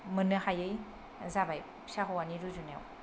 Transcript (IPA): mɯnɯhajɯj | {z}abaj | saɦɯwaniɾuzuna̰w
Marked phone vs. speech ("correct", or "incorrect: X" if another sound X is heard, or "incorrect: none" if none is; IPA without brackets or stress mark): correct